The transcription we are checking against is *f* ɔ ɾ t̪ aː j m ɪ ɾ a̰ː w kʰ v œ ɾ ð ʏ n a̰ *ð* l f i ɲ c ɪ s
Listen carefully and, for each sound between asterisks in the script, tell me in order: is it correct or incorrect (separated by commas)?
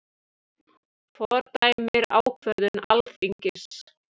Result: correct, incorrect